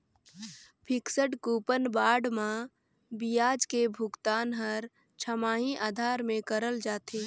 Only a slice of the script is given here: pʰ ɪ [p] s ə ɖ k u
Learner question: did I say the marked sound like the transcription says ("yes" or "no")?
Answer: no